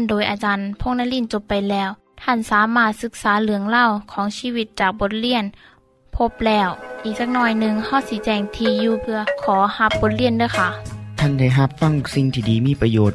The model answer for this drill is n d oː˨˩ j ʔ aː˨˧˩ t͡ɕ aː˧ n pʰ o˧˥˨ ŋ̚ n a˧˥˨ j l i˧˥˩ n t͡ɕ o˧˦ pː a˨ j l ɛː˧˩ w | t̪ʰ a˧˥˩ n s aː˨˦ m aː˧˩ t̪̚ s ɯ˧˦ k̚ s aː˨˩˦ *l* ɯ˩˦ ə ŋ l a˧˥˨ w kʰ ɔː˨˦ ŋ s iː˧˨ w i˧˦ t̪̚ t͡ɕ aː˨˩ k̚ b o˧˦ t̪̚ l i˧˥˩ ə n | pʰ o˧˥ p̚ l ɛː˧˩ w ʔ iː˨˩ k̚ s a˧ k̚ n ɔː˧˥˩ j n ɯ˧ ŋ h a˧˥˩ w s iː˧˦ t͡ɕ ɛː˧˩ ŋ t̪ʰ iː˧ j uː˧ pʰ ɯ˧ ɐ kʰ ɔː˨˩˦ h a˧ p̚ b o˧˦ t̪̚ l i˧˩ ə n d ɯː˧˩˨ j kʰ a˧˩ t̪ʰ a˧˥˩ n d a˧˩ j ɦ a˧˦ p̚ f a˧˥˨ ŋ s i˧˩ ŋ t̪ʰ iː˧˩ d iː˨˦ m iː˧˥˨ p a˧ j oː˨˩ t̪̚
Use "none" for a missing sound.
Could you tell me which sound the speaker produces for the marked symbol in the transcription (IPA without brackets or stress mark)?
l